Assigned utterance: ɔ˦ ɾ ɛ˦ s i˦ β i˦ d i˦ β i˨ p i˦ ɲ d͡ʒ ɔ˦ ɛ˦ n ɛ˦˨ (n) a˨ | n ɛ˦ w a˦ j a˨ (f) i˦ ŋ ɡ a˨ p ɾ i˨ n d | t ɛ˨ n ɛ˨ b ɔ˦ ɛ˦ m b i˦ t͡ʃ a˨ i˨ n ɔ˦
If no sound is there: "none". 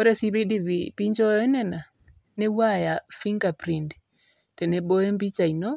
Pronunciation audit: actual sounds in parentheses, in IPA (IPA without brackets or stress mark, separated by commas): n, f